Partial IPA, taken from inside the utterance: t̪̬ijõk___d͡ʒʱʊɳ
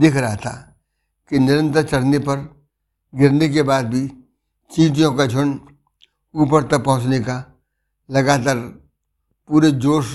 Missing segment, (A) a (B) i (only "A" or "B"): A